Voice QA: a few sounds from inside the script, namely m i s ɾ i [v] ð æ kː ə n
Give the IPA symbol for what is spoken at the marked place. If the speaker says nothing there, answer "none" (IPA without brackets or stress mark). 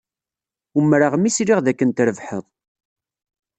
ʁ